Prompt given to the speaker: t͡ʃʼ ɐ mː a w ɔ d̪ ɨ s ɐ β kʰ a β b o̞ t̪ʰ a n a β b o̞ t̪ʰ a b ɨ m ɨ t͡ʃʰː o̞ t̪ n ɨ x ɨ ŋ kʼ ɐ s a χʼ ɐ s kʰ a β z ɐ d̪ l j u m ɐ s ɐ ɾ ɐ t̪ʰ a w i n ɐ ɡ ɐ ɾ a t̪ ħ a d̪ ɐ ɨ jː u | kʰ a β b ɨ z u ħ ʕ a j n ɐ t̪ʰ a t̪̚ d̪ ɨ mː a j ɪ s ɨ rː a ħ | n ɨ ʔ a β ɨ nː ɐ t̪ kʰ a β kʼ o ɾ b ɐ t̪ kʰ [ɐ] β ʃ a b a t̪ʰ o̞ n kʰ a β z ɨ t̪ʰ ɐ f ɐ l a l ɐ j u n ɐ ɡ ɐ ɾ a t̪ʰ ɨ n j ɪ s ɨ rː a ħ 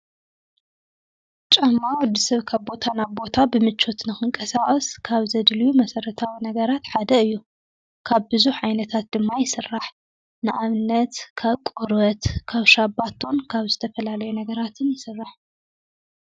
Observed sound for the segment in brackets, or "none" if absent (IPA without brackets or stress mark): a